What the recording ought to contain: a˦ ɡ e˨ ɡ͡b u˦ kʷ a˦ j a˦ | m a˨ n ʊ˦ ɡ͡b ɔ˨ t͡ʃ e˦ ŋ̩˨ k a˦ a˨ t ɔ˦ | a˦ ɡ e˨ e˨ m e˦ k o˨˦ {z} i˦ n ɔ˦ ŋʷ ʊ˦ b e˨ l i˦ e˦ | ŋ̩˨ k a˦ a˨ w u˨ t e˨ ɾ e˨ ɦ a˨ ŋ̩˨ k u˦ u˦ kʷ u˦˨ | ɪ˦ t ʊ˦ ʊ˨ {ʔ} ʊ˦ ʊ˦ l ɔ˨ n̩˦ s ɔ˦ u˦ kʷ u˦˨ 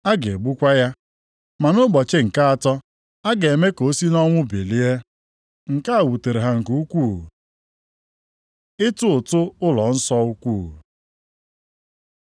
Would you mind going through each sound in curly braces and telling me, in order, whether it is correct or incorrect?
incorrect: s, incorrect: t

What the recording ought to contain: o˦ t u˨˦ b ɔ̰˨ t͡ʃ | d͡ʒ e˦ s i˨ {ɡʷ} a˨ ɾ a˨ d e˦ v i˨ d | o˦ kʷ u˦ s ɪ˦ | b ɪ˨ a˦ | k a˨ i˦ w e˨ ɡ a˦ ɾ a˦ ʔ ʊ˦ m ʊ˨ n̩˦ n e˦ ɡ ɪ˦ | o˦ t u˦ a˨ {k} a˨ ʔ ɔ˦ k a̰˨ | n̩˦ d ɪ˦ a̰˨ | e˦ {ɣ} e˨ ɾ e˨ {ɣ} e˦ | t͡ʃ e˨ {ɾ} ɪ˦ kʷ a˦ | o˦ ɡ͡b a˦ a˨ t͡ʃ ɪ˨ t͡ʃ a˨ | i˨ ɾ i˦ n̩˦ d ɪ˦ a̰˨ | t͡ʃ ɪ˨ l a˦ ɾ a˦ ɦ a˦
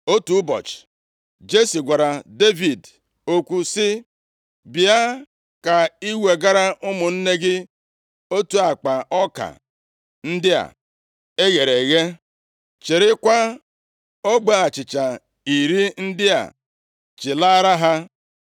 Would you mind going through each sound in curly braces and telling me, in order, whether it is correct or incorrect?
correct, incorrect: k͡p, correct, correct, correct

